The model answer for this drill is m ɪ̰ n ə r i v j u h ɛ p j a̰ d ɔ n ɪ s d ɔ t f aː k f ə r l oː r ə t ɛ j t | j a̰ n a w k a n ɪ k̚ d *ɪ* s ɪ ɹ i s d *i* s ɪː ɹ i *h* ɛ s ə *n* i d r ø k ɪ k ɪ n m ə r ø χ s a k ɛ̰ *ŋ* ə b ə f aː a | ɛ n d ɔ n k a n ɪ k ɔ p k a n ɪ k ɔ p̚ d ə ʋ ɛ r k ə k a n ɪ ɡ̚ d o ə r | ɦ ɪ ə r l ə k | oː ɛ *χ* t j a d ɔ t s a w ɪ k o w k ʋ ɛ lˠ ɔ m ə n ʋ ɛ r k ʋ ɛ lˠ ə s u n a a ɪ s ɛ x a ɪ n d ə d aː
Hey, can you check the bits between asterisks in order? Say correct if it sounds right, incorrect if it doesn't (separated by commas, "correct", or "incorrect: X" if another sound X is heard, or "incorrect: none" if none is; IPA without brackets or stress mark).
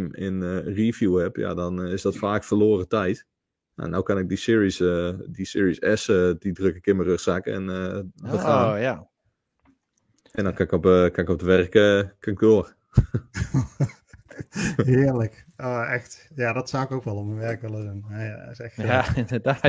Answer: incorrect: i, correct, incorrect: s, incorrect: d, incorrect: n, incorrect: x